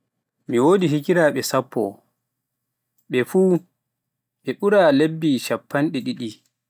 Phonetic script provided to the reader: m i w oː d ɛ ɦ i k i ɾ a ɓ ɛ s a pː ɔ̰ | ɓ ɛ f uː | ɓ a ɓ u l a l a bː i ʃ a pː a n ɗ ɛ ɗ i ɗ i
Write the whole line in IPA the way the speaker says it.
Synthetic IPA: m i w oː d i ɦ i k i ɾ a ɓ ɛ s a pː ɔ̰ | ɓ ɛ f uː | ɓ ɛ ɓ u ɾ a l e bː i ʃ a pː a n ɗ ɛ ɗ i ɗ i